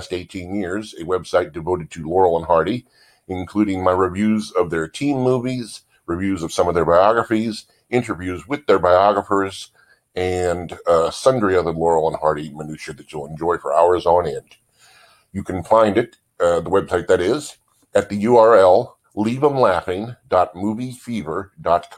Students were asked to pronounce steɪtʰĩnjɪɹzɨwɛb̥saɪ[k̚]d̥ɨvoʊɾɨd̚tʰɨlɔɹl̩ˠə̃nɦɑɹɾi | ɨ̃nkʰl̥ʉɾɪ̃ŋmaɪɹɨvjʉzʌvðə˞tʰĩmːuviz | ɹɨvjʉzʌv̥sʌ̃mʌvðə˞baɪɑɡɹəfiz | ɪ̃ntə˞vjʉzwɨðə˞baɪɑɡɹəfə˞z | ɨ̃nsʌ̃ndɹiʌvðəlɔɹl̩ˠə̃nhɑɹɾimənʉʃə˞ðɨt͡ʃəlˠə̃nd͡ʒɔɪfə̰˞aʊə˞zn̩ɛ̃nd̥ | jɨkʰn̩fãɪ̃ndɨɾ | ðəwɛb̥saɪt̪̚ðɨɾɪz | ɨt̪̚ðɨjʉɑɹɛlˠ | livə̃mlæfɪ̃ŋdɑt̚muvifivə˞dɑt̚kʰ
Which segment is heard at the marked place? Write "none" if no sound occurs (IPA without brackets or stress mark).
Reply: t̚